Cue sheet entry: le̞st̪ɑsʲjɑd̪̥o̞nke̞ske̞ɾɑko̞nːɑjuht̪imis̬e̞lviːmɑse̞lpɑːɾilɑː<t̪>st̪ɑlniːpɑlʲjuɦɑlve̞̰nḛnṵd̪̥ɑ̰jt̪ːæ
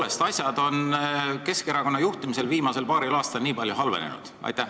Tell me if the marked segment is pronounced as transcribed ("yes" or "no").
no